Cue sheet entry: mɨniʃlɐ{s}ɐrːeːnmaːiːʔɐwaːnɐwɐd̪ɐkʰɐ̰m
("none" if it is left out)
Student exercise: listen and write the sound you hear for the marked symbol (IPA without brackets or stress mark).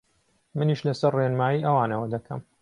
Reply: s